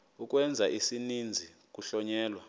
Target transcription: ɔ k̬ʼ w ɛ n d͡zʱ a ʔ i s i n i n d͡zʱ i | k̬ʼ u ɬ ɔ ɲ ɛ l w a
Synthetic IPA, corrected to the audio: u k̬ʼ w ɛ n d͡zʱ a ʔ i s i n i n d͡zʱ i | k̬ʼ u ɬ ɔ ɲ ɛː l w a